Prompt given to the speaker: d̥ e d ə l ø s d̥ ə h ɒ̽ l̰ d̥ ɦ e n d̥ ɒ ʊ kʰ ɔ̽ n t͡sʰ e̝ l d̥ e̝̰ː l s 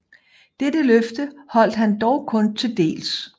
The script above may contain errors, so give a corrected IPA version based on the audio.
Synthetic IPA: d̥ e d ə l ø f d̥ ə h ɒ̽ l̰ d̥ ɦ æ n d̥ ɒ ʊ kʰ ɔ̽ n t͡sʰ e̝ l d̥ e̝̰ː l s